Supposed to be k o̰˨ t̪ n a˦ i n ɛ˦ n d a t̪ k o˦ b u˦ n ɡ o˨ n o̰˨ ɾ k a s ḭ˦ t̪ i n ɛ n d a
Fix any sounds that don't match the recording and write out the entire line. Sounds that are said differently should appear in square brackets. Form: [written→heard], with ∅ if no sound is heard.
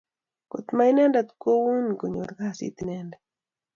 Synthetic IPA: k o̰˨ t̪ [n→m] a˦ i n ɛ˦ n d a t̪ k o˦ [b→w] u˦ n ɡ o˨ [n→ɲ] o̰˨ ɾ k a s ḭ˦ t̪ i n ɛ n d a